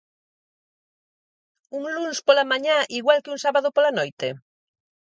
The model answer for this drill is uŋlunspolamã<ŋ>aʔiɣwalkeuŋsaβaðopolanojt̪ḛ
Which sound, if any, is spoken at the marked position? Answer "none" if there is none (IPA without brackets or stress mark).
ɲ